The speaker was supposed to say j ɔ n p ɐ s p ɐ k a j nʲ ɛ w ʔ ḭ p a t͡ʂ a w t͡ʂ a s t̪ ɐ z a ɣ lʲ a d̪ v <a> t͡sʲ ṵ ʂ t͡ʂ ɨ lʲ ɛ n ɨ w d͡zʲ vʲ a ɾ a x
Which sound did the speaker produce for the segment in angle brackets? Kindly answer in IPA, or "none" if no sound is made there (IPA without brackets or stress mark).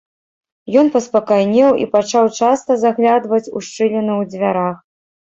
ɐ